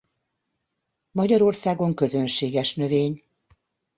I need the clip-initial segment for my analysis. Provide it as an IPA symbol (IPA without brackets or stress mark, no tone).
m